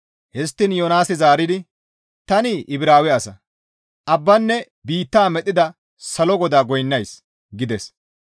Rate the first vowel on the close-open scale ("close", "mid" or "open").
mid